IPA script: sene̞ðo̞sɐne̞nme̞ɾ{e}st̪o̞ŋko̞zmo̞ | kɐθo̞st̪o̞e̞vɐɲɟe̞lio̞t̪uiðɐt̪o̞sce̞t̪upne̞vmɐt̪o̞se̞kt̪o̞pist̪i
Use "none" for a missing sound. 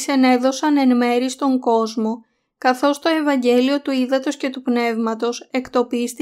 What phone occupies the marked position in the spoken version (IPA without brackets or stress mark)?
i